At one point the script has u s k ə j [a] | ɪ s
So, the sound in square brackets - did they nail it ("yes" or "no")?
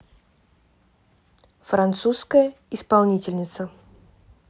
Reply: no